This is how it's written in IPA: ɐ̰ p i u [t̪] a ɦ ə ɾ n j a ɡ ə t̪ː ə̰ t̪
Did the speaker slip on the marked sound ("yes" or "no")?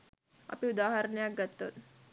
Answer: yes